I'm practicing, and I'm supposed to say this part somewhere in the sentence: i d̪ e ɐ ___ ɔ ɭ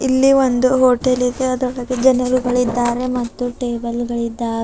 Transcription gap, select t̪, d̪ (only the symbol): d̪